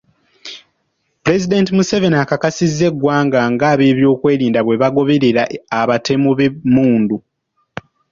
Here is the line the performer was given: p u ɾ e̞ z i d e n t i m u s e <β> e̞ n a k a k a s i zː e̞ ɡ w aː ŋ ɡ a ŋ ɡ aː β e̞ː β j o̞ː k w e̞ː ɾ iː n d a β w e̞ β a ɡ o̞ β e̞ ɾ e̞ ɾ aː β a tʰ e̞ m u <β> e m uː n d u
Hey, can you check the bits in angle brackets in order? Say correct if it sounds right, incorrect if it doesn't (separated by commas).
incorrect, correct